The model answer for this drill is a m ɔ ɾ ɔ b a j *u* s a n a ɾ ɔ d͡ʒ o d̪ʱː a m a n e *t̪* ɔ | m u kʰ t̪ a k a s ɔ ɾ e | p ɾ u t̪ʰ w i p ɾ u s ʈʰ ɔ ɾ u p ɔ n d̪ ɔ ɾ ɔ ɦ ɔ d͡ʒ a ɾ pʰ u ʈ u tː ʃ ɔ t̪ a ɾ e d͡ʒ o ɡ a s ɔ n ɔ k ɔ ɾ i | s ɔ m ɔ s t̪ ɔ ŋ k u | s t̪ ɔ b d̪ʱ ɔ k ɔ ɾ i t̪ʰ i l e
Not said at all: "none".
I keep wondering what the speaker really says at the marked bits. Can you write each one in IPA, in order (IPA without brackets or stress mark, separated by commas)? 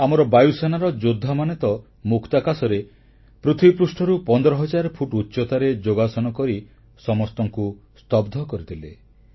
u, t̪